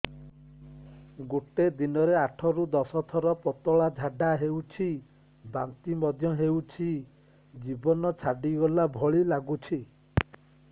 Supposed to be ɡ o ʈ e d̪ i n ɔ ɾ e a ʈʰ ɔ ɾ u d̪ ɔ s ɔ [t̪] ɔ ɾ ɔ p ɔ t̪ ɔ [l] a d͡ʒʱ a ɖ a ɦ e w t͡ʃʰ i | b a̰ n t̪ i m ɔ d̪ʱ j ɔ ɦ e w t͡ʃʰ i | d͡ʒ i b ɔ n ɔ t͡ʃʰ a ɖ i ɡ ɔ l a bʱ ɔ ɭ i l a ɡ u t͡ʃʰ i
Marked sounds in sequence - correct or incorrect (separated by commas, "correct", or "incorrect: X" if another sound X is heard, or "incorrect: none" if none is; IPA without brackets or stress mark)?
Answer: incorrect: t̪ʰ, incorrect: ɭ